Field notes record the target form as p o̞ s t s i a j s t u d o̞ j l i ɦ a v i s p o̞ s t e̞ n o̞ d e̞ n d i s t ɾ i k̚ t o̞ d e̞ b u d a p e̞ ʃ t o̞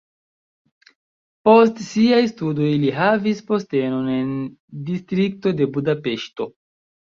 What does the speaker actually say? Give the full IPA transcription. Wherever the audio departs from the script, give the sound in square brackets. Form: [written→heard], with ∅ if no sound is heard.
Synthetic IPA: p o̞ s t s i a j s t u d o̞ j l i ɦ a v i s p o̞ s t e̞ n o̞ [d→n] e̞ n d i s t ɾ i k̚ t o̞ d e̞ b u d a p e̞ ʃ t o̞